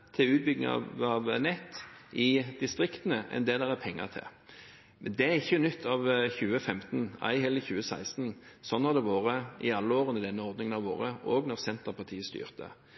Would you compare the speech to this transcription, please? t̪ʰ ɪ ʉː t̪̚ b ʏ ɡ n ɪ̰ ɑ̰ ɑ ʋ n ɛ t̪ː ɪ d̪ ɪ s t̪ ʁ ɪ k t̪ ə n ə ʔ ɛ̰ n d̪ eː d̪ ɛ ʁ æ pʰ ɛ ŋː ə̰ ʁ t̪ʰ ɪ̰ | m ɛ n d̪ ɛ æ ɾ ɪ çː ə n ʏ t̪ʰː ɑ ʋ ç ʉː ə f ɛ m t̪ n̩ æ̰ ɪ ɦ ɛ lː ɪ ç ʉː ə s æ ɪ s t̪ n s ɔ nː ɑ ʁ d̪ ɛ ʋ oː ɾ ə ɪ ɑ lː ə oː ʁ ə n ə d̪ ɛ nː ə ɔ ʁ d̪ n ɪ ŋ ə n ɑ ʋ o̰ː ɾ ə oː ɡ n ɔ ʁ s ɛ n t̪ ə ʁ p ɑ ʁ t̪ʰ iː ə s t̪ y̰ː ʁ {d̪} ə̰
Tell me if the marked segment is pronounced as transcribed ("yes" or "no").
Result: no